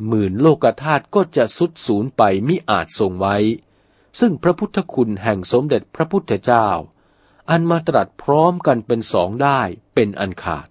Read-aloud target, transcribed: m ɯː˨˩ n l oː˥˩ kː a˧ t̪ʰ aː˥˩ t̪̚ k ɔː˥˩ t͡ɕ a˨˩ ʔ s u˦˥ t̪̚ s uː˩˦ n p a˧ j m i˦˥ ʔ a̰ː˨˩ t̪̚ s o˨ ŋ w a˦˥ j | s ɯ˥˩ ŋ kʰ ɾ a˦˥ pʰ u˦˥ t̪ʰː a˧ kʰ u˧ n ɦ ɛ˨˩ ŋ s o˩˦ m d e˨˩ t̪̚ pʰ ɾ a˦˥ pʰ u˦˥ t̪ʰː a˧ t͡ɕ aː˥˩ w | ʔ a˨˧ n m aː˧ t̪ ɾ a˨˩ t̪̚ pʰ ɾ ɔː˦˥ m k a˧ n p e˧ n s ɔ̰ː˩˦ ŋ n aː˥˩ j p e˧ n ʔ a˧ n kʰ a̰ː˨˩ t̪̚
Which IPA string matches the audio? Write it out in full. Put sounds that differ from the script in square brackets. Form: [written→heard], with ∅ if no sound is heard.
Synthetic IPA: m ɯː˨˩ n l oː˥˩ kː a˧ t̪ʰ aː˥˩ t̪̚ k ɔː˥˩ t͡ɕ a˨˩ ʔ s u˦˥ t̪̚ s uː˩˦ n p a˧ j m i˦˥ ʔ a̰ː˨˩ t̪̚ s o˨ ŋ w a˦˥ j | s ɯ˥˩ ŋ [kʰ→pʰ] ɾ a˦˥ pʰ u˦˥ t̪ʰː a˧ kʰ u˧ n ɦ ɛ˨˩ ŋ s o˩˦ m d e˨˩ t̪̚ pʰ ɾ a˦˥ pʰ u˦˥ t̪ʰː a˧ t͡ɕ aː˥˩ w | ʔ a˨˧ n m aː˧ t̪ ɾ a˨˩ t̪̚ pʰ ɾ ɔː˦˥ m k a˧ n p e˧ n s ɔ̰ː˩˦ ŋ [n→d] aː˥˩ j p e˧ n ʔ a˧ n kʰ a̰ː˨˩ t̪̚